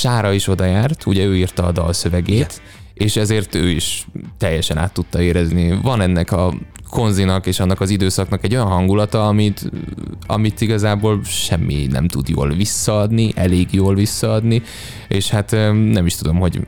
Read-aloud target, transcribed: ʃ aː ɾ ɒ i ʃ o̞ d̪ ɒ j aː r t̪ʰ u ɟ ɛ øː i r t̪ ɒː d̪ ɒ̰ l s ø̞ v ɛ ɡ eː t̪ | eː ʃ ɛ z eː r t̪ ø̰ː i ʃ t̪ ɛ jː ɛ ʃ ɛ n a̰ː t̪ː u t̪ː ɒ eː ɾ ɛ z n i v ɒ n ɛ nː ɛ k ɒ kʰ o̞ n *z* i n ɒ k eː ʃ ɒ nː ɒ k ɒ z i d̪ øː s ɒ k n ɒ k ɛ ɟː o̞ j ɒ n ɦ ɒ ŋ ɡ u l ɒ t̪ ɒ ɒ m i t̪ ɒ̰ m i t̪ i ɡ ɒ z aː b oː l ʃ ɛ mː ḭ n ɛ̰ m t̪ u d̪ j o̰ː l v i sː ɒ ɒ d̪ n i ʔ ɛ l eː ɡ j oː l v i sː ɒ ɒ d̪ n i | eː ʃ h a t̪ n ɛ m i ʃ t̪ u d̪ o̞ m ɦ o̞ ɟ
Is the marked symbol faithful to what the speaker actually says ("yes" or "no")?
yes